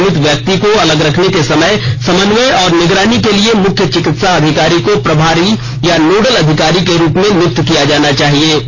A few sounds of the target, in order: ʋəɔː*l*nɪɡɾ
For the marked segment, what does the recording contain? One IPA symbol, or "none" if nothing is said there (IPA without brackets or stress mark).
ɾ